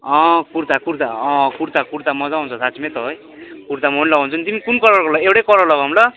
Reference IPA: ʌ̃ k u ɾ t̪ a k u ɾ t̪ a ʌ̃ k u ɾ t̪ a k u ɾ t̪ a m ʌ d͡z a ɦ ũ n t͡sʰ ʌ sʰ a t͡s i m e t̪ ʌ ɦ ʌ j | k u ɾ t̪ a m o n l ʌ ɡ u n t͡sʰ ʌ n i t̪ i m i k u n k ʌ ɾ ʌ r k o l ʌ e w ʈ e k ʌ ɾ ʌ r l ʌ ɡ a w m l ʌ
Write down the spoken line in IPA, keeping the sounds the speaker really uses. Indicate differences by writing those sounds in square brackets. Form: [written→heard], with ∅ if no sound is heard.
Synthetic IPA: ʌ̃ k u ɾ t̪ a k u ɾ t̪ a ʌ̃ k u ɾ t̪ a k u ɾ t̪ a m ʌ d͡z a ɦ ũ n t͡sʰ ʌ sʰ a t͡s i m e t̪ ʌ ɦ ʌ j | k u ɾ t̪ a m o n l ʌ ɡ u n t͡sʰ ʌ n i t̪ i m i k u n k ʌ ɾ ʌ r k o l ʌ e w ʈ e k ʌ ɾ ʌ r l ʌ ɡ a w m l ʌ